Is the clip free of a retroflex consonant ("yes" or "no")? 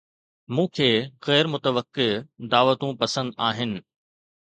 yes